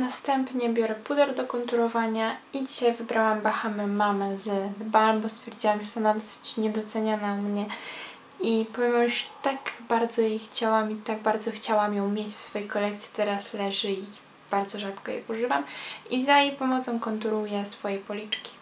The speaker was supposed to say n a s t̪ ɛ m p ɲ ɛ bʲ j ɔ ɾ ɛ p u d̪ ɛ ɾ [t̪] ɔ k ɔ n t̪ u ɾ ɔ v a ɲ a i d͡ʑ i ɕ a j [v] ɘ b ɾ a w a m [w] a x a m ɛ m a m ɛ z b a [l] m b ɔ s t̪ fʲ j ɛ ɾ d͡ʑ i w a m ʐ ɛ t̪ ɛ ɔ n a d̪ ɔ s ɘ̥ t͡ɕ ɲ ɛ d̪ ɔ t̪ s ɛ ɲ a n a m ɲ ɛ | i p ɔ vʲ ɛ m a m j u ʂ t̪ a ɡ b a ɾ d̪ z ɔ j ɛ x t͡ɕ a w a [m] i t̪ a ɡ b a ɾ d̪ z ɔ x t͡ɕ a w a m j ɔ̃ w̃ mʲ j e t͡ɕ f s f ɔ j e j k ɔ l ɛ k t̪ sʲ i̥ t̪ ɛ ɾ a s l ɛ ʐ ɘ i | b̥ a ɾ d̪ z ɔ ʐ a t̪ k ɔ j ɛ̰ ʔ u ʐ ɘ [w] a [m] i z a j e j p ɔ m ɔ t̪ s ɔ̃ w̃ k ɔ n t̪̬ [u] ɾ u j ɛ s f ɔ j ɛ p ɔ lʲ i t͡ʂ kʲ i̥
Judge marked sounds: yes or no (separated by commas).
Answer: no, yes, no, yes, yes, no, yes, yes